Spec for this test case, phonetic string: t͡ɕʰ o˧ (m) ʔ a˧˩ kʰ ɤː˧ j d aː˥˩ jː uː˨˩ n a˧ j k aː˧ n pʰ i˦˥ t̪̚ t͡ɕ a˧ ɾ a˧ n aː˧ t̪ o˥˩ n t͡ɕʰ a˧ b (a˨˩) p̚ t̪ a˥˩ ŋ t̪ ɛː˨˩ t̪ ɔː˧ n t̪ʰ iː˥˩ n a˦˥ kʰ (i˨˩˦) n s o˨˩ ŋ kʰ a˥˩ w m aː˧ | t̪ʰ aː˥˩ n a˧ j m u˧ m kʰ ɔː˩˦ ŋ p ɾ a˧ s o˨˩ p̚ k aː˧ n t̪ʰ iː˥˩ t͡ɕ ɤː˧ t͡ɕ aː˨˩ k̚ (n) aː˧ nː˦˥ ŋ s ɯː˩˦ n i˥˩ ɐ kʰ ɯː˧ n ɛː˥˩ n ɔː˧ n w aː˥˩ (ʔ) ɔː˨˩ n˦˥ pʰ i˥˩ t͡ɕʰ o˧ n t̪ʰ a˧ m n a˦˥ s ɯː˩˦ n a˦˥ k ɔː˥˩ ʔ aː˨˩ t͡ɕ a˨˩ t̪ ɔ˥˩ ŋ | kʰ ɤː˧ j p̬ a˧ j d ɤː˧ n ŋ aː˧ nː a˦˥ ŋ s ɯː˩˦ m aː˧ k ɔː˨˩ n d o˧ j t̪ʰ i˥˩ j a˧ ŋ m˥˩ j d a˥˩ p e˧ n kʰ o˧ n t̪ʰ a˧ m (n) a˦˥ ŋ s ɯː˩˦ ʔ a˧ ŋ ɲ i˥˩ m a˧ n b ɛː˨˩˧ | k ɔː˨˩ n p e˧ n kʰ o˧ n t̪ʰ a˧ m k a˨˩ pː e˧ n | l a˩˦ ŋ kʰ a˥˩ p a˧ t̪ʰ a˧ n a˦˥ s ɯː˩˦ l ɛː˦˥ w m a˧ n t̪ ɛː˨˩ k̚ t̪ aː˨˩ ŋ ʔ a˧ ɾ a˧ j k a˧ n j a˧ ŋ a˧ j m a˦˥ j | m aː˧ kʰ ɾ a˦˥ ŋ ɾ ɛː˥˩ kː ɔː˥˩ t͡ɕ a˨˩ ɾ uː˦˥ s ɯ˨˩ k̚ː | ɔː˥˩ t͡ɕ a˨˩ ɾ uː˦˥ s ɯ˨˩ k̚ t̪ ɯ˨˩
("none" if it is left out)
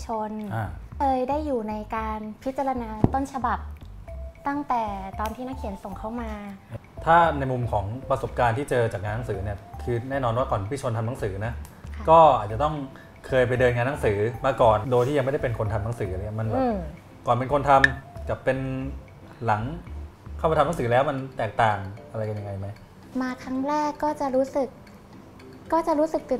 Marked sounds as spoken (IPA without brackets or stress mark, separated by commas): n, a˨˩, i˨˩˦, ŋ, k, n